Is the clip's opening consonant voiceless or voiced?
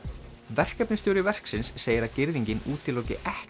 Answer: voiced